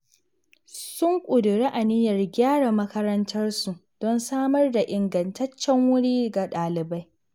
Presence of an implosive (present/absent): present